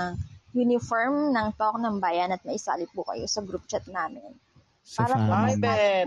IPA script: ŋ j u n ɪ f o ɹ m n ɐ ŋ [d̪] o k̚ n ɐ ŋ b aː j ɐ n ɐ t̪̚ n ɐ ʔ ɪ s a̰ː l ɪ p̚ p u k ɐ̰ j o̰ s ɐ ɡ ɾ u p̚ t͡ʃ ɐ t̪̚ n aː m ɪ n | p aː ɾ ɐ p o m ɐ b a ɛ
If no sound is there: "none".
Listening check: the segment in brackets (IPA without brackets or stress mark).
t̪